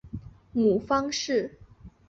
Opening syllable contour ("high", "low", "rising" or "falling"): low